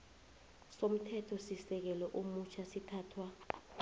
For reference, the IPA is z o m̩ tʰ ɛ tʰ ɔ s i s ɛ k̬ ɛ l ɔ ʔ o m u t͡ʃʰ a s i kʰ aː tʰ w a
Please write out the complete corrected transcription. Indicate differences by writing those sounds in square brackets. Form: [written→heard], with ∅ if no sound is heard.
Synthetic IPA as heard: [z→s] o m̩ tʰ ɛ tʰ ɔ s i s ɛ k̬ ɛ l ɔ ʔ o m u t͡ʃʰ a s i [kʰ→tʰ] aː tʰ w a

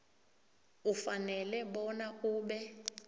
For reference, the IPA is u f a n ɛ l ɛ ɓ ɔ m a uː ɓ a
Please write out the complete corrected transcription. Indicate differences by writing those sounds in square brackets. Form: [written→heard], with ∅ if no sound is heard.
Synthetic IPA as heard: u f a n ɛ l ɛ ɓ ɔ [m→n] a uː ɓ [a→ɛ]

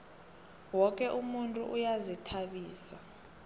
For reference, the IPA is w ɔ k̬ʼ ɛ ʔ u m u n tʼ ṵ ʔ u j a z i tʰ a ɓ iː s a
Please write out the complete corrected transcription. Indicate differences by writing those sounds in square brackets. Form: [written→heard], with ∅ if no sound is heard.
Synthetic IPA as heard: w ɔ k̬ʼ ɛ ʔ u m u n tʼ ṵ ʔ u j a z i tʰ a ɓ iː s a

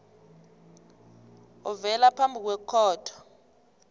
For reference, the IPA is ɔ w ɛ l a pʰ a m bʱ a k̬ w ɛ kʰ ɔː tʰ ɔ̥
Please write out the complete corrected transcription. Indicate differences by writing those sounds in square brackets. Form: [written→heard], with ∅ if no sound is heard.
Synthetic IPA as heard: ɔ [w→v] ɛ l a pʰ a m bʱ [a→i] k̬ w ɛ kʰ ɔː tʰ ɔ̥

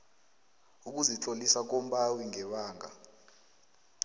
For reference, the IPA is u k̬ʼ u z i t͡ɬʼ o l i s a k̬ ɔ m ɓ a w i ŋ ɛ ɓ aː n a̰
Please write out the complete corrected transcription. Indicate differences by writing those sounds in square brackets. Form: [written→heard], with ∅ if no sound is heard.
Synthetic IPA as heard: u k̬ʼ u z i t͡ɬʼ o l i s a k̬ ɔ m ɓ a w i ŋ ɛ ɓ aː [n→ŋ] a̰

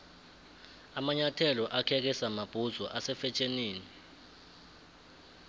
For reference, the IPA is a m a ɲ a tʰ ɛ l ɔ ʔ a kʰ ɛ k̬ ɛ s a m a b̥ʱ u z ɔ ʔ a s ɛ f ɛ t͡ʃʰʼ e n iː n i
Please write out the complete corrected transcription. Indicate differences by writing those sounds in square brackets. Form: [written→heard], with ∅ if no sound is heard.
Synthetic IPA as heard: a m a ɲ a tʰ ɛ l ɔ ʔ a kʰ ɛ k̬ ɛ s a m a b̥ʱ u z ɔ ʔ a s ɛ f ɛ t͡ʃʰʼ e n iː n i

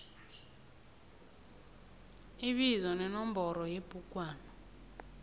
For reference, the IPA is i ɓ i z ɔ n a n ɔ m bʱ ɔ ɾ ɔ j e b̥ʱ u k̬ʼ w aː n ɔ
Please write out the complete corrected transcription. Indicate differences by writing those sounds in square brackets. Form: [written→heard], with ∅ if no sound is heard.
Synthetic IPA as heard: i ɓ i z ɔ n [a→ɛ] n ɔ m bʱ ɔ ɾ ɔ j e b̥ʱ u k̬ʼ w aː n ɔ

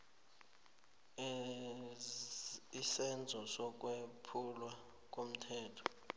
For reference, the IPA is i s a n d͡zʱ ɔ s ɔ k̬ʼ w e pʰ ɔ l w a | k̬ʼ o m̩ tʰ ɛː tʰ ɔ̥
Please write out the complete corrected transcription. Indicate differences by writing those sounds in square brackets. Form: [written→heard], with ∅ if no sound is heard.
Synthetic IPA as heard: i s [a→ɛ] n d͡zʱ ɔ s ɔ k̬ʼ w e pʰ [ɔ→u] l w a | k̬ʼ o m̩ tʰ ɛː tʰ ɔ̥

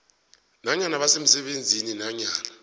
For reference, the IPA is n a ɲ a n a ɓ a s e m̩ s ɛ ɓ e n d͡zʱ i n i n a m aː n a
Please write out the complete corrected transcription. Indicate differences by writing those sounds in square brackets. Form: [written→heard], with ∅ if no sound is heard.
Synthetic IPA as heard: n a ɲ a n a ɓ a s e m̩ s ɛ ɓ e n d͡zʱ i n i n a [m→ɲ] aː n a

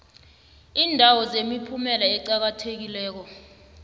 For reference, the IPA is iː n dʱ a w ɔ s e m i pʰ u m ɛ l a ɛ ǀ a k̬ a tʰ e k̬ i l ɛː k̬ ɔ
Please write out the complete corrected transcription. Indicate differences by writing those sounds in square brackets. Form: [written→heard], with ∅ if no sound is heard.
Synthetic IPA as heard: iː n dʱ a w ɔ [s→z] e m i pʰ u m ɛ l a ɛ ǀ a k̬ a tʰ e k̬ i l ɛː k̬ ɔ

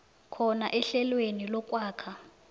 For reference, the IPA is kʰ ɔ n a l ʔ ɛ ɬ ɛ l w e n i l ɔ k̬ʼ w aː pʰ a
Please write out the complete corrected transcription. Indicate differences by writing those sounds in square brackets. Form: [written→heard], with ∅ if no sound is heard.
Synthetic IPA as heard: kʰ ɔ n a [l→∅] ʔ ɛ ɬ ɛ l w e n i l ɔ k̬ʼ w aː [pʰ→kʰ] a

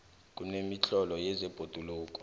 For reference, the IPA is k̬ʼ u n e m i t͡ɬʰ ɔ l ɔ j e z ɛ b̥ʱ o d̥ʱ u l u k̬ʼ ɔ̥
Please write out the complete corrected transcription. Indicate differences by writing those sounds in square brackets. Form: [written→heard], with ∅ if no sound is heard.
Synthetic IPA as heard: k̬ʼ u n e m i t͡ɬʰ ɔ l ɔ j [e→ɛ] z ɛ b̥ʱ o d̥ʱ u l [u→uː] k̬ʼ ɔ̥

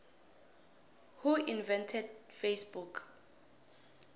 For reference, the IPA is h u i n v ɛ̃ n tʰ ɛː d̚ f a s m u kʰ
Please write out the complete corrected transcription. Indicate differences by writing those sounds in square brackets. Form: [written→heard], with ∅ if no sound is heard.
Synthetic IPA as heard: h u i n v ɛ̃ n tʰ [ɛː→ɛ] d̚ f [a→e] s [m→b] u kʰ

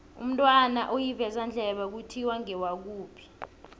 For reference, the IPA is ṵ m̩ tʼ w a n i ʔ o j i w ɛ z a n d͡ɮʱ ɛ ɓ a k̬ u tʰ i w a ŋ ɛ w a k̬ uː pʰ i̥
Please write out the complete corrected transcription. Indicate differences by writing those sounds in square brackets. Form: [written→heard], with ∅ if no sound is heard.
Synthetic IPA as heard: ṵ m̩ tʼ w a n [i→a] ʔ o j i [w→v] ɛ z a n d͡ɮʱ ɛ ɓ a k̬ u tʰ i w a ŋ ɛ w a k̬ uː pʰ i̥

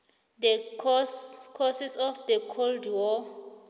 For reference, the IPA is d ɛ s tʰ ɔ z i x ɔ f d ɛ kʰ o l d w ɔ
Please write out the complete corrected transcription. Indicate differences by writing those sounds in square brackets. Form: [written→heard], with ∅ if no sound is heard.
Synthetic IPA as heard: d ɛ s [tʰ→kʰ] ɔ [z→s] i [x→s] ɔ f d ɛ kʰ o l d w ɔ

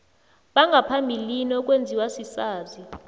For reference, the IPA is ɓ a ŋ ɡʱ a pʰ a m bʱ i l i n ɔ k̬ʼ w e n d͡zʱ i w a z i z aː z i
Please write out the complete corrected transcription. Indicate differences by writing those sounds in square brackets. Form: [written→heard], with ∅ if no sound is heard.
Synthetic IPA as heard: ɓ a ŋ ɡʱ a pʰ a m bʱ i l i n ɔ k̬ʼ w e n d͡zʱ i w a [z→s] i [z→s] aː z i

